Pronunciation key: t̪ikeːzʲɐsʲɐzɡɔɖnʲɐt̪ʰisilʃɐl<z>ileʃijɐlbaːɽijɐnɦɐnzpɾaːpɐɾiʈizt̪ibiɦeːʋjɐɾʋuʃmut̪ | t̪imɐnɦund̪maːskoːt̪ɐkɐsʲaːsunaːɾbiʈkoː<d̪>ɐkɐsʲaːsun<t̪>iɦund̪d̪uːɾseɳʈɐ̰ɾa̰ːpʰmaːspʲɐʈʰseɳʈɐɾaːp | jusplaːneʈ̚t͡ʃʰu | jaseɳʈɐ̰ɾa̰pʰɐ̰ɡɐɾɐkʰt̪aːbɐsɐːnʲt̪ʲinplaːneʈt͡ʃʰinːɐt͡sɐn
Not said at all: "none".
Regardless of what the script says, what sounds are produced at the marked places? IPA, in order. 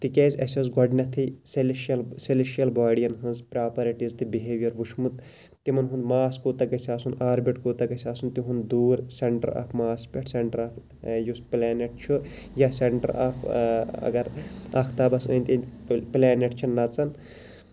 s, t̪, t̪

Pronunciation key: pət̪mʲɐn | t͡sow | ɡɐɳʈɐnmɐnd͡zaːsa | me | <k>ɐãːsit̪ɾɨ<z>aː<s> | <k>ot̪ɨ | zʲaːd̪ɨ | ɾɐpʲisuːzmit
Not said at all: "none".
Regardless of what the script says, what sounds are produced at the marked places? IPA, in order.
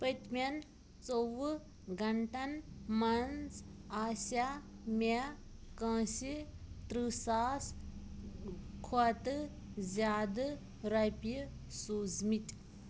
k, s, s, kʰ

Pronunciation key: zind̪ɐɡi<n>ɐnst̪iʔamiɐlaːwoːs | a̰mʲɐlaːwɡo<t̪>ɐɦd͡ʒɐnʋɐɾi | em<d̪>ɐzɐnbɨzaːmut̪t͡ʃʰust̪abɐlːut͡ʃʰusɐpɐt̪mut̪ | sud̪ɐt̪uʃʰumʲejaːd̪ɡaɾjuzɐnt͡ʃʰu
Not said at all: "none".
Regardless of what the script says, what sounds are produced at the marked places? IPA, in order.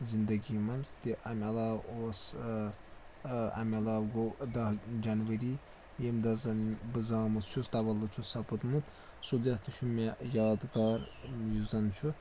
m, d̪, d̪

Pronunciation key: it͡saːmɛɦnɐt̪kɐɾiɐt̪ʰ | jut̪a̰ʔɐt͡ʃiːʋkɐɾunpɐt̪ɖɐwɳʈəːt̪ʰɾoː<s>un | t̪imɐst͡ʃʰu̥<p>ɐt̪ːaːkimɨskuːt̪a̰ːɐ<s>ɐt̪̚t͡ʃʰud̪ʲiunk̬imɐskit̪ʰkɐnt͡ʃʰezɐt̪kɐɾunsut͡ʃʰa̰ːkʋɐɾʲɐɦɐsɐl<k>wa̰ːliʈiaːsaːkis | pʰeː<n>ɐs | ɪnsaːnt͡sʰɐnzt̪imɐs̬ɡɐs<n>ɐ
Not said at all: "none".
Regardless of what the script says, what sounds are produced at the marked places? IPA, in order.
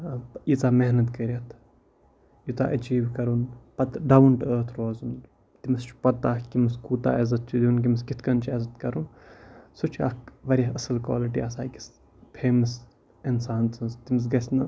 z, p, z, k, m, n

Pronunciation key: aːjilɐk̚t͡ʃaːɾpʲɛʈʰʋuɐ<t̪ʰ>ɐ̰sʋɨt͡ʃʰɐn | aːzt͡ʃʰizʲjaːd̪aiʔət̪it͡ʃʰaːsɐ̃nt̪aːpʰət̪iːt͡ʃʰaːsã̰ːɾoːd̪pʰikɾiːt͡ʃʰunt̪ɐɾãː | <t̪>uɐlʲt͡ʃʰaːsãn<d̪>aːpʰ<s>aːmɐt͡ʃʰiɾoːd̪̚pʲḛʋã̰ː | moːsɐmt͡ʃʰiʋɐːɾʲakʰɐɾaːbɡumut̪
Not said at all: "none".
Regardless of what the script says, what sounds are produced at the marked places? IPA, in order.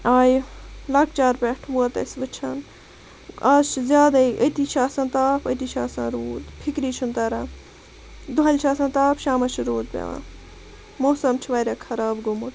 t̪, d̪, t̪, ʃ

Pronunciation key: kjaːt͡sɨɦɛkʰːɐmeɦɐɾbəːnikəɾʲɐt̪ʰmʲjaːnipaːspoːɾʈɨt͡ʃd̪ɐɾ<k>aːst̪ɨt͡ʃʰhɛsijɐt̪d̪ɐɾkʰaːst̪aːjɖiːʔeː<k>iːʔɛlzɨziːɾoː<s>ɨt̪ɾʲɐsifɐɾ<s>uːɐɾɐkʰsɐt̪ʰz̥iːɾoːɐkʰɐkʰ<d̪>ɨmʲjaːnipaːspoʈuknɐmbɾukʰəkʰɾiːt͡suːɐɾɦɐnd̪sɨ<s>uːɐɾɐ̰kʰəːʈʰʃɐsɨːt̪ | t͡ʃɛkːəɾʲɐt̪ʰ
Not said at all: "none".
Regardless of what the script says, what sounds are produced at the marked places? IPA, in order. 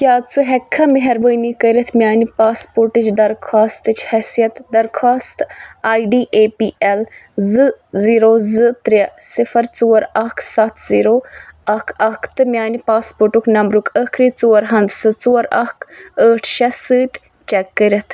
kʰ, p, z, t͡s, t̪, t͡s

